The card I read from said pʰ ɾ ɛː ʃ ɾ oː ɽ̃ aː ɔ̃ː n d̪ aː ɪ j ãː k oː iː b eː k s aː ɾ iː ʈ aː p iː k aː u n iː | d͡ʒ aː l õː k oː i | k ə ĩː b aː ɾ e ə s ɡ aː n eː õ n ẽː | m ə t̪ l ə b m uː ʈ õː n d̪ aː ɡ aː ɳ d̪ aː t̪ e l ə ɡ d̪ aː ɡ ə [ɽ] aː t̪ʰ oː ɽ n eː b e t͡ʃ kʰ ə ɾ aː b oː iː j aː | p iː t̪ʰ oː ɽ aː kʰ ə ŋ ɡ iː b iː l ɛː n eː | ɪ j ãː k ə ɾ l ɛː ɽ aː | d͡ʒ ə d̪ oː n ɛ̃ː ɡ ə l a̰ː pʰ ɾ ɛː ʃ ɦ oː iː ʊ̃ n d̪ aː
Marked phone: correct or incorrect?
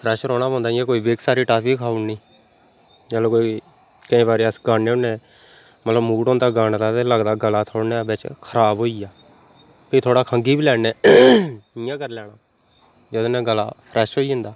incorrect: l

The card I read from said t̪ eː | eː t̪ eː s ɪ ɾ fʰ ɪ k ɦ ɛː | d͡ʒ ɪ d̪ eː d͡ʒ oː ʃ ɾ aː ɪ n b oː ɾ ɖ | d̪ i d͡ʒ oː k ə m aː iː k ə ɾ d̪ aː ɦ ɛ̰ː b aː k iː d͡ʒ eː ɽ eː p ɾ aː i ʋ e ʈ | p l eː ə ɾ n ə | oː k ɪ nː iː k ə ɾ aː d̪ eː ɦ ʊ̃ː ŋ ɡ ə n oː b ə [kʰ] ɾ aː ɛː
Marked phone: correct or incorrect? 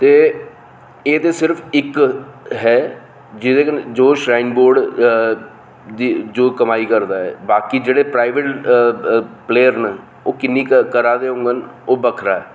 correct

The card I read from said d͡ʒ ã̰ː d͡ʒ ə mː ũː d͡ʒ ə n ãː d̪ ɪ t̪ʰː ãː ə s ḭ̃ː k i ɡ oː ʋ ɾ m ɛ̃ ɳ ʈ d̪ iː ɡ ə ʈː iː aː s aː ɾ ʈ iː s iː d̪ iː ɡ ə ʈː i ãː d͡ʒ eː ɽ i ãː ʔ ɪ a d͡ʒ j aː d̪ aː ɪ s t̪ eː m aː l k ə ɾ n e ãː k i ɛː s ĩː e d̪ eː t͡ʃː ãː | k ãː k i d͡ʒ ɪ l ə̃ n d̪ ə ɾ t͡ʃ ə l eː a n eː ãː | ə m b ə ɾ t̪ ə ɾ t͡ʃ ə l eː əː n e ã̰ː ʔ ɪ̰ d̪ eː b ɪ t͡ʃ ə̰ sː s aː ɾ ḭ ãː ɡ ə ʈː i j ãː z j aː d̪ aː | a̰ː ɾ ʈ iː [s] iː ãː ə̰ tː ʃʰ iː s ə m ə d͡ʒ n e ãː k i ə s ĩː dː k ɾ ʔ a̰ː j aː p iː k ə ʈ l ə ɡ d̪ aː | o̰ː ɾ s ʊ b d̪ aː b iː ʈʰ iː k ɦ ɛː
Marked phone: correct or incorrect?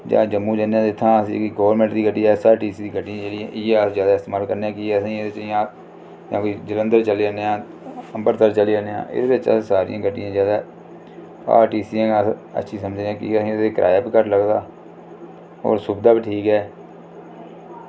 correct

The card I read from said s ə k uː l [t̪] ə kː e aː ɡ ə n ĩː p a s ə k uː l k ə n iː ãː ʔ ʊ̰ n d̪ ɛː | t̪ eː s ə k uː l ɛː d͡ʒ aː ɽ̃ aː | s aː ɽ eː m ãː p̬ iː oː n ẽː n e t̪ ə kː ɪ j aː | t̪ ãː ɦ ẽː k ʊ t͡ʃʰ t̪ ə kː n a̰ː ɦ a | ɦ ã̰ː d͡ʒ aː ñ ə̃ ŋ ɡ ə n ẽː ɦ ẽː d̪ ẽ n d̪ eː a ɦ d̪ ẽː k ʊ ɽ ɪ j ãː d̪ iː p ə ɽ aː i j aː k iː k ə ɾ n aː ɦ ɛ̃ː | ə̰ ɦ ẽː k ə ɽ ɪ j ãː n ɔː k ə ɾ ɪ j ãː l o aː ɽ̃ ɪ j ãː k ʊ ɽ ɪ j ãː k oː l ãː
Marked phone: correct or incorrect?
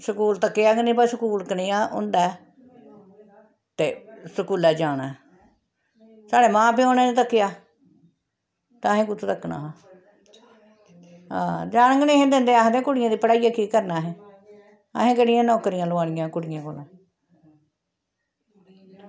correct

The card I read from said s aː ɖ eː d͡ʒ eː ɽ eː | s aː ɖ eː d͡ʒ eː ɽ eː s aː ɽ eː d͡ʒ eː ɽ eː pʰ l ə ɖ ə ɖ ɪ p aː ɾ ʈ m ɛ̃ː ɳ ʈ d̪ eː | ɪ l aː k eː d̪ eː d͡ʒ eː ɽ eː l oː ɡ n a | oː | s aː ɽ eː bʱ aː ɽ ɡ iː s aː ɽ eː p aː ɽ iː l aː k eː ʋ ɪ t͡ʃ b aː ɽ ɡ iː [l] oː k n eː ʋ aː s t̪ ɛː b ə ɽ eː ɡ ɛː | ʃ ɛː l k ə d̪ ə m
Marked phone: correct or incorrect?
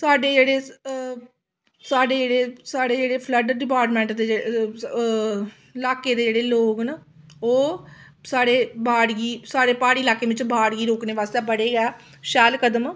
incorrect: ɾ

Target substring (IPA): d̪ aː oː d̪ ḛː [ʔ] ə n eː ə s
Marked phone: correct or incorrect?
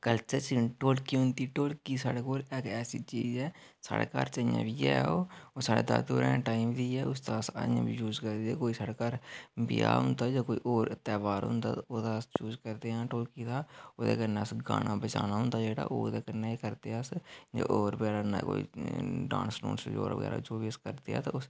incorrect: k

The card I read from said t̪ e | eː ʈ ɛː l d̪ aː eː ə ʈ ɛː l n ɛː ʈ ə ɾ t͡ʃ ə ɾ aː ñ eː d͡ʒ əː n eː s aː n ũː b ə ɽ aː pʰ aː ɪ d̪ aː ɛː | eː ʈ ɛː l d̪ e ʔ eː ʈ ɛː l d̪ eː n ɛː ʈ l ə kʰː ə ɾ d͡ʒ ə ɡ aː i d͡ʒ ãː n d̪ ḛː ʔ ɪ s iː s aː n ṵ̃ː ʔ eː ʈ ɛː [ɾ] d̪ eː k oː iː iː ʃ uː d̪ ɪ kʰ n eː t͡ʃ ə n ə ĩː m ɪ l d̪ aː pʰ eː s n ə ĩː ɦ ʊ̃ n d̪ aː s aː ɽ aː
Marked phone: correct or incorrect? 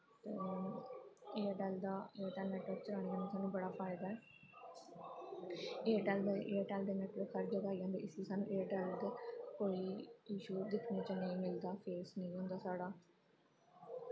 incorrect: l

